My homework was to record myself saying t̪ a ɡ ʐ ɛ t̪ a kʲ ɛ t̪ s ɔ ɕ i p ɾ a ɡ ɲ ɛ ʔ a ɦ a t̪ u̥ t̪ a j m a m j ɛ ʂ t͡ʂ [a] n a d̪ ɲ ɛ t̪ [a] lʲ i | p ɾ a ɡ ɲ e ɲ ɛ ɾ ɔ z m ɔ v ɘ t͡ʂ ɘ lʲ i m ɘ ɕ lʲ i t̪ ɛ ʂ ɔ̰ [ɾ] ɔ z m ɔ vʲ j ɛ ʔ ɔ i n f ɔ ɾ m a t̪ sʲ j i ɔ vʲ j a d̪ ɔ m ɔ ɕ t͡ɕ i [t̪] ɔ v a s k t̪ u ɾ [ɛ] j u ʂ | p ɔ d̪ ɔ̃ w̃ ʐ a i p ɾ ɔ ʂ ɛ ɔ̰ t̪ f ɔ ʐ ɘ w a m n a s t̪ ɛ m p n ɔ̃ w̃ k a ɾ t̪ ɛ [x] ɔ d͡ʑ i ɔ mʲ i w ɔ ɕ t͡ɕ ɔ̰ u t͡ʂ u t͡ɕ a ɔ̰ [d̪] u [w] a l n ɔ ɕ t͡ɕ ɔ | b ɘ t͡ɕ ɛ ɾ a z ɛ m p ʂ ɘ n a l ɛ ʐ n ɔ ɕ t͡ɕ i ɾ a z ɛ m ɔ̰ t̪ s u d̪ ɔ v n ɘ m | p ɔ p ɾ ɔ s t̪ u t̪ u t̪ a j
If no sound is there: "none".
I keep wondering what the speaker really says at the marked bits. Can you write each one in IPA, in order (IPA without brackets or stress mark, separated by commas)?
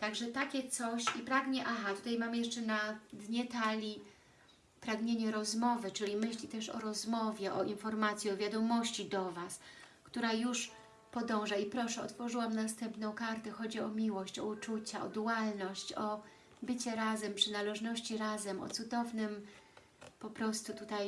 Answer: ɛ, a, ɾ, d̪, a, x, d̪, w